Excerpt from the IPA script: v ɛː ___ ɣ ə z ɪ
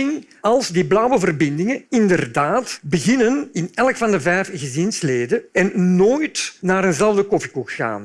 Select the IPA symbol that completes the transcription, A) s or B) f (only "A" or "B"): B